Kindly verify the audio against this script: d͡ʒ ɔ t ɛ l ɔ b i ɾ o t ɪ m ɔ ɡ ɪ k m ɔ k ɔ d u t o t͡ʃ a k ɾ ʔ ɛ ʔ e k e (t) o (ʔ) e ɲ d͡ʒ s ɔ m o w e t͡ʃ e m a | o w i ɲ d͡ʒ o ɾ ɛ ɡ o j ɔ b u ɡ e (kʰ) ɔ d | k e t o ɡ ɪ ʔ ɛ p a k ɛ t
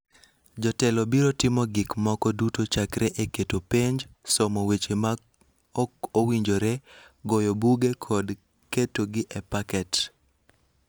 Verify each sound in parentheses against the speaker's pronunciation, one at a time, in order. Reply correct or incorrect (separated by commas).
correct, incorrect, correct